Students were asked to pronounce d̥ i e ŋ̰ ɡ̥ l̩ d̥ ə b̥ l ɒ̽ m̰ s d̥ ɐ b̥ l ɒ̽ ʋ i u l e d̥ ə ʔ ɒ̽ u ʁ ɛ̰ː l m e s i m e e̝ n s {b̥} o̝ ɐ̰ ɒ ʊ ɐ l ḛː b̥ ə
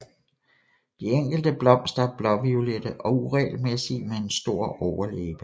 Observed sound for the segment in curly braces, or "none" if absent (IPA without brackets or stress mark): d̥